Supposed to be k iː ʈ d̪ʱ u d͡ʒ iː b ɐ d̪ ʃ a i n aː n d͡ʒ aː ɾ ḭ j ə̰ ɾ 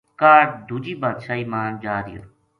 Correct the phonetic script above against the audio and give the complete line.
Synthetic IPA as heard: k aː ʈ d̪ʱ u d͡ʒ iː b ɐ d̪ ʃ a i m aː n d͡ʒ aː ɾ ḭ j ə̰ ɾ